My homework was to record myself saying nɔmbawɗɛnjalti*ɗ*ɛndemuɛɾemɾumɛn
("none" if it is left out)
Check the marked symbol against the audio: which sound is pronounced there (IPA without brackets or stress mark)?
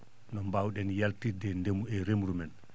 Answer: d